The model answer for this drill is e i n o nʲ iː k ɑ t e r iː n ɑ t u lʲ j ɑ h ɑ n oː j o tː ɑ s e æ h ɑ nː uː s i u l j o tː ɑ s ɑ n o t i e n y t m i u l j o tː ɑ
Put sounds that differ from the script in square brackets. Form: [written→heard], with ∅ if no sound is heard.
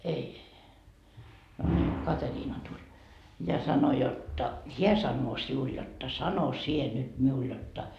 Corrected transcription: e i n o nʲ iː k ɑ t e r iː n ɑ t u lʲ j ɑ [h→s] ɑ n [oː→o] j o tː ɑ [s→h] e æ [h→s] ɑ nː [uː→oː] s i u l j o tː ɑ s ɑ n o [t→s] i e n y t m i u l j o tː ɑ